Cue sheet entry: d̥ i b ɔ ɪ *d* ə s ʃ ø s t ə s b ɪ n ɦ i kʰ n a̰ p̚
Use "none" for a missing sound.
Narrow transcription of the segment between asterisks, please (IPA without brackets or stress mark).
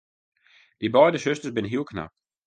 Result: d